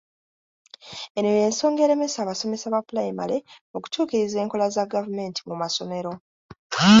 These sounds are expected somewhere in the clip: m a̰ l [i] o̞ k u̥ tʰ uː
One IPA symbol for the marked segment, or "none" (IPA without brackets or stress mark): e